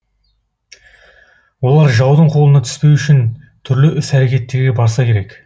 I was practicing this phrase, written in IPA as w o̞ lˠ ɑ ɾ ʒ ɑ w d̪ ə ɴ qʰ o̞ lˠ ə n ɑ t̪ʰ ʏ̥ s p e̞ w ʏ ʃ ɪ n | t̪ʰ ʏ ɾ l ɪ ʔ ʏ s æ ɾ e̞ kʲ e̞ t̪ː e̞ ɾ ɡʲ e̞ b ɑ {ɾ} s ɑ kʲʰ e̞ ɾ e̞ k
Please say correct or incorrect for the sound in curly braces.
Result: correct